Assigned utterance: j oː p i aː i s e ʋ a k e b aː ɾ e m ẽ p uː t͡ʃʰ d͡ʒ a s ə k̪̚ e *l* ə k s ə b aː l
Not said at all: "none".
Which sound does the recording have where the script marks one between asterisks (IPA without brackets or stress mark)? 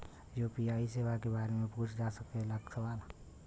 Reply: l